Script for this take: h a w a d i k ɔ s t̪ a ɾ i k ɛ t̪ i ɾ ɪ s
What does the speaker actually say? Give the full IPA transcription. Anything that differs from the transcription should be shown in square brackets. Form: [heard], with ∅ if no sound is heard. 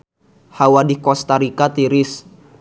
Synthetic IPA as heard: h a w a d i k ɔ s t̪ a ɾ i k [a] t̪ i ɾ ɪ s